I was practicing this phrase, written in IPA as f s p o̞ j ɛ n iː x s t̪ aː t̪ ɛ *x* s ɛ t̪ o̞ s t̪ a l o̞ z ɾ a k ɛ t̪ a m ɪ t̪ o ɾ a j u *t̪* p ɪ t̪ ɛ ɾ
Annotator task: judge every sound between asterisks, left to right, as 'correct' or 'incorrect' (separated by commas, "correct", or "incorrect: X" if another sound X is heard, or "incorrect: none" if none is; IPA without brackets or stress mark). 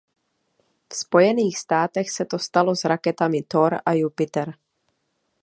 correct, incorrect: none